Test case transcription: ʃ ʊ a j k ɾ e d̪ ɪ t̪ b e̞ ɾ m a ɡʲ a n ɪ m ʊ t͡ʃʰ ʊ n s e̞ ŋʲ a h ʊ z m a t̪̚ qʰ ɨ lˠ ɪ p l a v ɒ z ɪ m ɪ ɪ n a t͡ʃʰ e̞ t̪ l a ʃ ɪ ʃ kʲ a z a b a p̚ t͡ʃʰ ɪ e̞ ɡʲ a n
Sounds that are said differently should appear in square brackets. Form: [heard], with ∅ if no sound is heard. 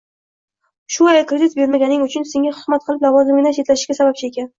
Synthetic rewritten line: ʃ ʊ a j k ɾ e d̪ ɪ t̪ b e̞ ɾ m a ɡʲ a n ɪ [ŋ] ʊ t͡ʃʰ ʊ n s e̞ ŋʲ a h ʊ z m a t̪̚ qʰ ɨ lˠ ɪ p l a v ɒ z ɪ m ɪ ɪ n a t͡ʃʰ e̞ t̪ l a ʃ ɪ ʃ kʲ a [s] a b a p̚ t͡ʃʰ ɪ e̞ [kʲ] a n